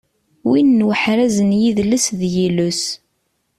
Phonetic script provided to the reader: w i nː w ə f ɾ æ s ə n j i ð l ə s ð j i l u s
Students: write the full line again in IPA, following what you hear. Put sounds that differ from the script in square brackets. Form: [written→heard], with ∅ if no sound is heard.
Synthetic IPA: w i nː w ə [f→ħ] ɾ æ [s→z] ə n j i ð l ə s ð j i l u s